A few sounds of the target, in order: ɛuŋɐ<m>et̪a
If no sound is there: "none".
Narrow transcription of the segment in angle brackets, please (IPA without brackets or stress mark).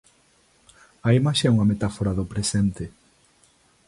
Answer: m